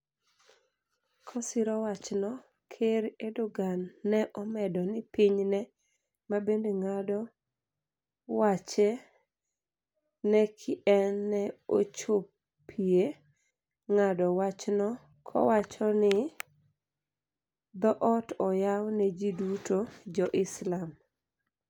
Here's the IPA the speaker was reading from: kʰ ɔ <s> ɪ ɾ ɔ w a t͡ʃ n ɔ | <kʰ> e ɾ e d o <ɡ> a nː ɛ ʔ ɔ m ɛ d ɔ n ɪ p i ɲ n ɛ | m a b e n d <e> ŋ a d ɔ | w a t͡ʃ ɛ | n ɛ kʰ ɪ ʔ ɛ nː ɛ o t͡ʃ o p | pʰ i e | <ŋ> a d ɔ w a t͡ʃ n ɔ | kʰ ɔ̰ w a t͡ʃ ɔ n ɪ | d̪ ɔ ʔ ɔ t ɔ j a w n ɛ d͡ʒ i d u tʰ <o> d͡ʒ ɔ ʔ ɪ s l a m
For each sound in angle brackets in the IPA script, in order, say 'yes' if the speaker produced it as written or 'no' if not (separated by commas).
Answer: yes, yes, yes, yes, yes, yes